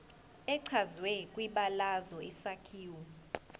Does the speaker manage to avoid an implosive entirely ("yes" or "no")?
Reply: no